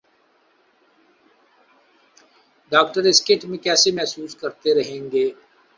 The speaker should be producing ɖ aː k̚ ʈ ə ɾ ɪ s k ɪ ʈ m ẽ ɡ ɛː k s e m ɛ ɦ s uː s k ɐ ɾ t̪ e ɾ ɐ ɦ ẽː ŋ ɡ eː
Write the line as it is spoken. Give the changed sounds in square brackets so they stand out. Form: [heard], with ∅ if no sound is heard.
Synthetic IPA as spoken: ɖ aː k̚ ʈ ə ɾ ɪ s k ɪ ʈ m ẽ [k] ɛː [∅] s e m ɛ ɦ s uː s k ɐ ɾ t̪ e ɾ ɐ ɦ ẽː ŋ ɡ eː